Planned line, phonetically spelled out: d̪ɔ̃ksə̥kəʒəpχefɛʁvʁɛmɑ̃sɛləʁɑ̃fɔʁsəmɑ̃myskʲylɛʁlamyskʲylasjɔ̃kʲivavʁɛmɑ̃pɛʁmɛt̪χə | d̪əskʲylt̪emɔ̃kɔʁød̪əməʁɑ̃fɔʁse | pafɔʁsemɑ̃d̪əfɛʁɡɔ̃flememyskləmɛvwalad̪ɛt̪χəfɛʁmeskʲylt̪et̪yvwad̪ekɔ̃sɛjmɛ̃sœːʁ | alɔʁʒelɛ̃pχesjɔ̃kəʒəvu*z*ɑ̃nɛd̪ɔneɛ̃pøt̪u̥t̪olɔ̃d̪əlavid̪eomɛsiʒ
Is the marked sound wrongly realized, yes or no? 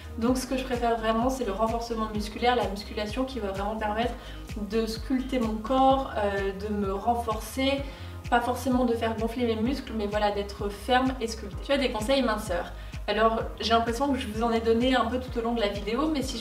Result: no